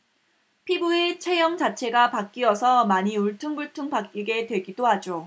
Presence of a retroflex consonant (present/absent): present